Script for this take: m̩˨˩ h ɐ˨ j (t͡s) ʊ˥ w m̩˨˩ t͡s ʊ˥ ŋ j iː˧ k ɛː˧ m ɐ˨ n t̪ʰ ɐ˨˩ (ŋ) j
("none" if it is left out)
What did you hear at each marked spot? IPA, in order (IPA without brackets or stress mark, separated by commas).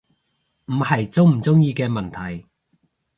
t͡s, none